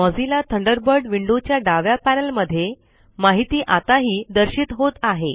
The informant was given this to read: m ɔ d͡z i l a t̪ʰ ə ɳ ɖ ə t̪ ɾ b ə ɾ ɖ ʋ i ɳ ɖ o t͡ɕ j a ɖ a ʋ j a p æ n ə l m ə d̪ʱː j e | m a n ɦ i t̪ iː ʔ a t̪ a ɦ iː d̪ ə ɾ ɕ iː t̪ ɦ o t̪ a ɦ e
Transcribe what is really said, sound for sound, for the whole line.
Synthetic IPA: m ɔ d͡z i l a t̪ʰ ə ɳ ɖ ə ɾ b ə ɾ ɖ ʋ i ɳ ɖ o t͡ɕ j a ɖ a ʋ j a p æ n ə l m ə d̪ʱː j e | m a ɦ i t̪ iː ʔ a t̪ a ɦ iː d̪ ə ɾ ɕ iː t̪ ɦ o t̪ a ɦ e